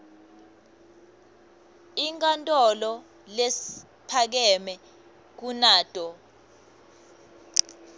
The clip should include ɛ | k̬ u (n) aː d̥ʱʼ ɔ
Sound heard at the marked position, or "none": n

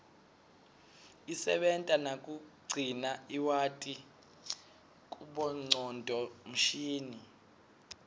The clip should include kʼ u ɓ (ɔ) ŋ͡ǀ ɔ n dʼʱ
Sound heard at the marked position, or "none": ɔ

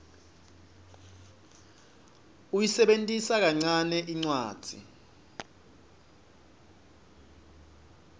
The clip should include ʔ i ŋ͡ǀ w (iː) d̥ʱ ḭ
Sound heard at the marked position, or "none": aː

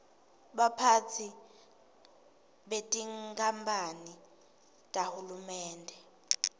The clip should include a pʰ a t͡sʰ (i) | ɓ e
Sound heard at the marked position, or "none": i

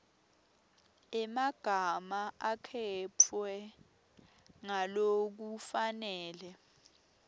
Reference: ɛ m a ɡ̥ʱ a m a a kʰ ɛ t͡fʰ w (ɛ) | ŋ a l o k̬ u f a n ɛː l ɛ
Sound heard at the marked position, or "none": ɛ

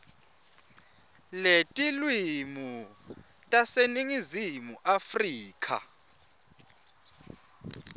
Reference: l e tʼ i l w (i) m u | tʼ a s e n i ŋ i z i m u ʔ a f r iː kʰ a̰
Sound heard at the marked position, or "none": i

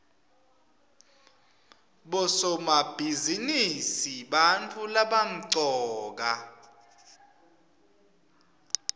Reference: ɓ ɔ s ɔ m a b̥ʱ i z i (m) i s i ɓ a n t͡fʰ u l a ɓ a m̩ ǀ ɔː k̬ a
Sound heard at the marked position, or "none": n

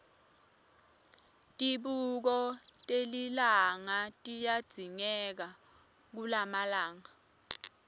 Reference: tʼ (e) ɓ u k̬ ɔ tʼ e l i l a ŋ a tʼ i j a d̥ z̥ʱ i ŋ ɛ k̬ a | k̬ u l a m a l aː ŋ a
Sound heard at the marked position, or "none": i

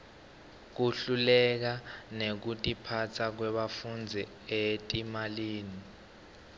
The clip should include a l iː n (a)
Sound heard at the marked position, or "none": i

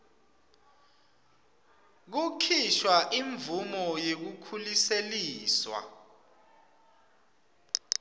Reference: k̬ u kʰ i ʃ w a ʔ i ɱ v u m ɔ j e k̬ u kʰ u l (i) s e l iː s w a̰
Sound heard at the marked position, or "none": i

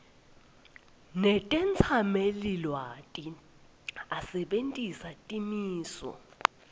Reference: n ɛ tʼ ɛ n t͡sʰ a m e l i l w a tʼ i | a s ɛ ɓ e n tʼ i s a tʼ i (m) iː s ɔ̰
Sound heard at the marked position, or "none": m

